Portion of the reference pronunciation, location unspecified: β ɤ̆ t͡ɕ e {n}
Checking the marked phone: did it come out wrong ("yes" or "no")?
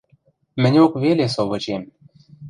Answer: yes